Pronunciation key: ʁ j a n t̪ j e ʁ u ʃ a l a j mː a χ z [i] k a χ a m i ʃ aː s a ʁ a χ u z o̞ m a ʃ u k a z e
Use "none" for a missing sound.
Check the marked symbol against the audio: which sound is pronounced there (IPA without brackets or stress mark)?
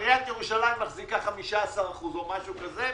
i